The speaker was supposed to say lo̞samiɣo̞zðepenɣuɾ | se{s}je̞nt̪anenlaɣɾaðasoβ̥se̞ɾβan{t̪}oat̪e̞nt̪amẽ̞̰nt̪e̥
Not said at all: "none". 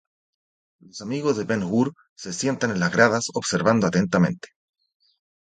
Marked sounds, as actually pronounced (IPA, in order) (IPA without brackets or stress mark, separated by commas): s, d̪